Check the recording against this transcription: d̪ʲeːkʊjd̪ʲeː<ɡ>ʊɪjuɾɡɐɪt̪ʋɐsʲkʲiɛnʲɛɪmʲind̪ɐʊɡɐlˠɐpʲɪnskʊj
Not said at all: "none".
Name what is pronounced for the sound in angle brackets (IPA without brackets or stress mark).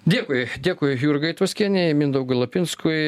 k